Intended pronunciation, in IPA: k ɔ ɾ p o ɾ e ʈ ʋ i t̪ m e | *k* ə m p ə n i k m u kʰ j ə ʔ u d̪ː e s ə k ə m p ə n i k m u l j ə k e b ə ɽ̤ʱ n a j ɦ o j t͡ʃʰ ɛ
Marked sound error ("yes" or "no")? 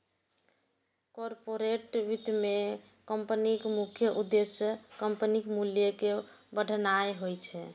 no